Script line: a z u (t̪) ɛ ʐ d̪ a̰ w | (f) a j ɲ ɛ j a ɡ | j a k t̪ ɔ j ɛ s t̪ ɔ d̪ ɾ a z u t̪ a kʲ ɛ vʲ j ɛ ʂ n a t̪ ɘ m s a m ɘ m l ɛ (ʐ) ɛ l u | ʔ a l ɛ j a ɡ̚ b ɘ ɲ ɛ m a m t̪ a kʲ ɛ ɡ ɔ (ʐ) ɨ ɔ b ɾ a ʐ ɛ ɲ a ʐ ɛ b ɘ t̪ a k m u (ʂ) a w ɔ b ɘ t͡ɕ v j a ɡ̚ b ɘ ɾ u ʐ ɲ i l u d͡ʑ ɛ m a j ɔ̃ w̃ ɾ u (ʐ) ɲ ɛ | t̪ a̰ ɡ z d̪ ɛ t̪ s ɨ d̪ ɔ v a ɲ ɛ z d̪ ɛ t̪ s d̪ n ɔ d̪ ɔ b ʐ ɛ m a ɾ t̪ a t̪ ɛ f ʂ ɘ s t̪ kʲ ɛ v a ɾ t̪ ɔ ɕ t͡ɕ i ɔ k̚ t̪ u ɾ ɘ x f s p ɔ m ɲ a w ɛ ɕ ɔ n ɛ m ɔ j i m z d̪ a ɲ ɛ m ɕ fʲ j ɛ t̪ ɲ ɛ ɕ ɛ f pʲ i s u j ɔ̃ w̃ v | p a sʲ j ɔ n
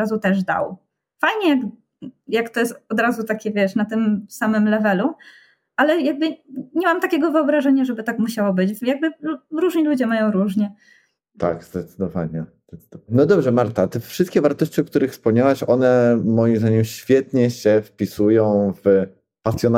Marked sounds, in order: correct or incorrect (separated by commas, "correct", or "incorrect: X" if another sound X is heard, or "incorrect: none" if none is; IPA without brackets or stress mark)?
correct, correct, incorrect: v, incorrect: v, incorrect: ɕ, correct